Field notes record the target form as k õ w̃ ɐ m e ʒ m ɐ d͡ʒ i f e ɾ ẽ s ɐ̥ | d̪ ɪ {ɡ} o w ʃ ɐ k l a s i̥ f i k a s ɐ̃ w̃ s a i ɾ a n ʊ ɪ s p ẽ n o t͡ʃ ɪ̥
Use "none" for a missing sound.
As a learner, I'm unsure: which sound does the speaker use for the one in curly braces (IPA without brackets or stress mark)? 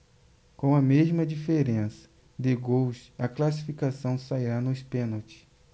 ɡ